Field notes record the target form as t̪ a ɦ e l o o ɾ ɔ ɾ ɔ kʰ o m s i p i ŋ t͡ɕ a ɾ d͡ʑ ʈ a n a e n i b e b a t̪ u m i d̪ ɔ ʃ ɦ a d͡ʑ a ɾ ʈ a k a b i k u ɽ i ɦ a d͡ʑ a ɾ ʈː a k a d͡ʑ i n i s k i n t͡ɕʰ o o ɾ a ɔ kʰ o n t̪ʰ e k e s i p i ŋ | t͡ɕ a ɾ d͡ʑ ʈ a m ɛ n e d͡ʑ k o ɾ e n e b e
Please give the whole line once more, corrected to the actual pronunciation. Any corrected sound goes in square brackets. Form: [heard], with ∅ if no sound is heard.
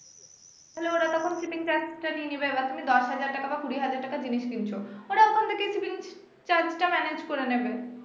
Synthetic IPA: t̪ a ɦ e l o o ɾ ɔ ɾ ɔ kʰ o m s i p i ŋ t͡ɕ a ɾ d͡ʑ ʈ a n [i] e n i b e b a t̪ u m i d̪ ɔ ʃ ɦ a d͡ʑ a ɾ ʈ a k a b [a] k u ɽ i ɦ a d͡ʑ a ɾ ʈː a k a d͡ʑ i n i [ʃ] k i n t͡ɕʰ o o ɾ a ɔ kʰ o n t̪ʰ e k e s i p i ŋ | t͡ɕ a ɾ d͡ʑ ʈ a m ɛ n e d͡ʑ k o ɾ e n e b e